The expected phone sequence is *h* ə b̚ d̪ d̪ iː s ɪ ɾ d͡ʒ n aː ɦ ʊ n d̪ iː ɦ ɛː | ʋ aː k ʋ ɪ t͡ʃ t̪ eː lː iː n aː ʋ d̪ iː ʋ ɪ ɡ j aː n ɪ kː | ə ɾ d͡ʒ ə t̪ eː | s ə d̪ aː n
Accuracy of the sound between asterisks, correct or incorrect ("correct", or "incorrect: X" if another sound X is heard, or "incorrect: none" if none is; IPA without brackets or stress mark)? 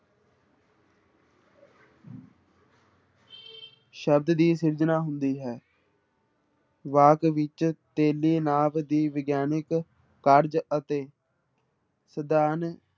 incorrect: ʃ